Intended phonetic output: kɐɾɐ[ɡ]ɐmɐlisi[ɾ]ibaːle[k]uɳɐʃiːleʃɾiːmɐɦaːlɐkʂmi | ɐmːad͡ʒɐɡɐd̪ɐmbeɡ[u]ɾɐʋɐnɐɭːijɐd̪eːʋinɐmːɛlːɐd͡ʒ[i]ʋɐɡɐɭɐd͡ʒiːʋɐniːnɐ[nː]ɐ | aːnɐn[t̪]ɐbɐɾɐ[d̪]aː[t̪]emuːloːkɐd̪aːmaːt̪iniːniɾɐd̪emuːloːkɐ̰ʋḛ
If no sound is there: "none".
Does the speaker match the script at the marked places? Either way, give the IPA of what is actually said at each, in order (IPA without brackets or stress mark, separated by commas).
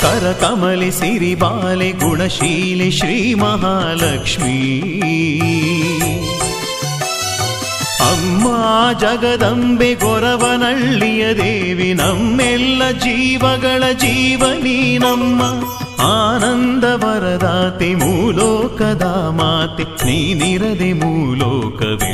k, ɾ, ɡ, ɔ, iː, mː, d̪, d̪, t̪